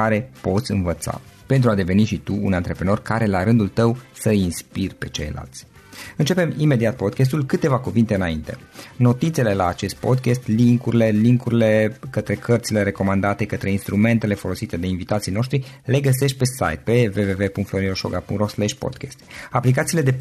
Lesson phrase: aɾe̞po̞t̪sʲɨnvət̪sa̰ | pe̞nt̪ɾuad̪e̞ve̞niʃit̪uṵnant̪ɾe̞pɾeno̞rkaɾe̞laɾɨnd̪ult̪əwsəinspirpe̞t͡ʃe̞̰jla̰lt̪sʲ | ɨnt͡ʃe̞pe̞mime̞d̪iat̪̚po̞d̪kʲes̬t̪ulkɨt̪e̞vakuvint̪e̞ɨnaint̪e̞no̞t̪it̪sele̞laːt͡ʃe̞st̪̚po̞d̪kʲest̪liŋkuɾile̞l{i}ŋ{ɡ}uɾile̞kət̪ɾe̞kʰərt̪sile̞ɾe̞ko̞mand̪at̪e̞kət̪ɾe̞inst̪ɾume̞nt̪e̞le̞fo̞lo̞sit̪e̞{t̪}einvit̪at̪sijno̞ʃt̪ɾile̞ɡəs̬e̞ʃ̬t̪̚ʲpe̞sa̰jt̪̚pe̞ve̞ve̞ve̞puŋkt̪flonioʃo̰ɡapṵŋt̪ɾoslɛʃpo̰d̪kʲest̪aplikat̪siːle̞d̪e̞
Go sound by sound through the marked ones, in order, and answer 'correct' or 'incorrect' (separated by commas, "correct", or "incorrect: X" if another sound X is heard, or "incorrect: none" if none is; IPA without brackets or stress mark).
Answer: correct, incorrect: k, incorrect: d̪